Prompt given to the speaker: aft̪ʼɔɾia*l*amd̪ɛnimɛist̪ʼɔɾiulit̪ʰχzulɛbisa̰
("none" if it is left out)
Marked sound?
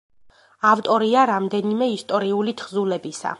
ɾ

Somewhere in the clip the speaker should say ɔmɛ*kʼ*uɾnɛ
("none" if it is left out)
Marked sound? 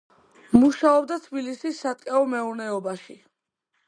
none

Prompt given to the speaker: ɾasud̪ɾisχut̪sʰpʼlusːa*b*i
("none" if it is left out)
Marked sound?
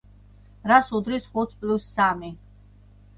m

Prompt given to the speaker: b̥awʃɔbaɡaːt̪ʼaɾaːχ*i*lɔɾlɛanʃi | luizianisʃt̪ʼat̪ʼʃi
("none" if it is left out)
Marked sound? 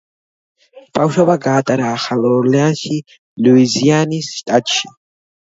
a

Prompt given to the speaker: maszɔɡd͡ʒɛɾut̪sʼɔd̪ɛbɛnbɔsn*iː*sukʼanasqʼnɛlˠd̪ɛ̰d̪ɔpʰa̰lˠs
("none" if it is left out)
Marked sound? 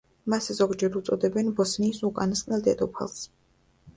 iː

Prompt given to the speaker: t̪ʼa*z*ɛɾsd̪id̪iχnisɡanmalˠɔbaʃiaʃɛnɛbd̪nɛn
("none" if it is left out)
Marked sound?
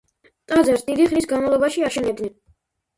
z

